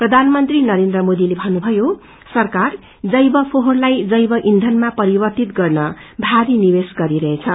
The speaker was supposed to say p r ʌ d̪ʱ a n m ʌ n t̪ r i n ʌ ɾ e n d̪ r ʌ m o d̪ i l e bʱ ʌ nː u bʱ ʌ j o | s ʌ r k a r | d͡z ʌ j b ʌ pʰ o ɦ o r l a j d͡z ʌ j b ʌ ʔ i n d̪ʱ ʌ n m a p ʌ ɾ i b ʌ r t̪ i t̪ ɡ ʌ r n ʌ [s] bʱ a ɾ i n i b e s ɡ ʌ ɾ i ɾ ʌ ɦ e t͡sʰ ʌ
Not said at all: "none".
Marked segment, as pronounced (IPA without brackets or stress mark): none